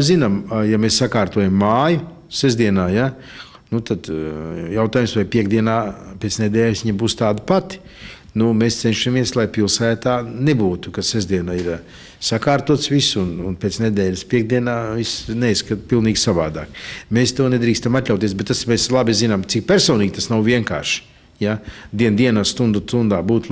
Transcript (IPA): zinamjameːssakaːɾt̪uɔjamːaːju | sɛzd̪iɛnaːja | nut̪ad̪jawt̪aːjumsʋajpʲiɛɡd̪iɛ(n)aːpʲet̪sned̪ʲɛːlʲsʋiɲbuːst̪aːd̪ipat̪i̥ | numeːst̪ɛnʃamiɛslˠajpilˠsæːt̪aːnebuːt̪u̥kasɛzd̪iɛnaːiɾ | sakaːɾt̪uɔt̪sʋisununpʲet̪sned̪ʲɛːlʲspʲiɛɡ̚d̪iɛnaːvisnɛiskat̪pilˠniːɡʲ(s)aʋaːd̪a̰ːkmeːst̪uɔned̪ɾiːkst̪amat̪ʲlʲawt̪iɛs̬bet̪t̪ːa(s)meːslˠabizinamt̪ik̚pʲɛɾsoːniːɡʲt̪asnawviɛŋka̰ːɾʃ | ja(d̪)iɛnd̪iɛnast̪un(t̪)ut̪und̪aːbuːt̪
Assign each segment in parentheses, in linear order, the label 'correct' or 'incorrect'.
correct, correct, correct, correct, incorrect: d̪

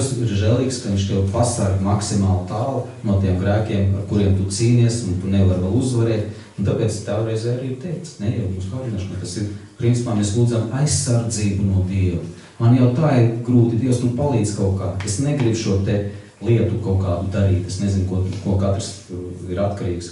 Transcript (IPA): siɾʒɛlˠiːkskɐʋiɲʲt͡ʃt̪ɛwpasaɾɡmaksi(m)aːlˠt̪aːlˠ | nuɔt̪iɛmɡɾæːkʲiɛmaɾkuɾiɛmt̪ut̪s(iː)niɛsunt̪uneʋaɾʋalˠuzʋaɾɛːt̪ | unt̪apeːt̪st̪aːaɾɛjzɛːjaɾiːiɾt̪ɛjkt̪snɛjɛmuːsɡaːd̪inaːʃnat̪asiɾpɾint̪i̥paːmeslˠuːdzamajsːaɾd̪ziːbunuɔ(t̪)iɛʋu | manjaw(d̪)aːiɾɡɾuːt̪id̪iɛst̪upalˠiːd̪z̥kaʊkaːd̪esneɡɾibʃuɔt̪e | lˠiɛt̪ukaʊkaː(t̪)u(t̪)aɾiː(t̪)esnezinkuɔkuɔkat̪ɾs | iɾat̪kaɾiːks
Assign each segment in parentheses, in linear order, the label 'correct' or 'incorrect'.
correct, correct, incorrect: d̪, incorrect: t̪, incorrect: d̪, incorrect: d̪, correct

